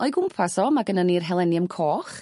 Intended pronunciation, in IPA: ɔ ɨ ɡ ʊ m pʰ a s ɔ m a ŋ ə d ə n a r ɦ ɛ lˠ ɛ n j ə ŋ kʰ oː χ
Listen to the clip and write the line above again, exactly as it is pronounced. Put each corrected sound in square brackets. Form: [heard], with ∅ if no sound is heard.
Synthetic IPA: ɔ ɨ ɡ ʊ m pʰ a s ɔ m a [ɡ] ə [n] ə n [i] r ɦ ɛ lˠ ɛ n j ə [m] kʰ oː χ